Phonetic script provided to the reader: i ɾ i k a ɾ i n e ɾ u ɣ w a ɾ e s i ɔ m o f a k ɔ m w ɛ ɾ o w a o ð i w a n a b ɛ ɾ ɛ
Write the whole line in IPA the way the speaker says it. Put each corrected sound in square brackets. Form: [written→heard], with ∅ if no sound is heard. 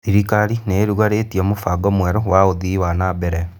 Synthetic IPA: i ɾ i k a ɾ i n e ɾ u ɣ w a ɾ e [s→t] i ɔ m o f a [k→ɡ] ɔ m w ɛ ɾ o w a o ð i w a n a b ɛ ɾ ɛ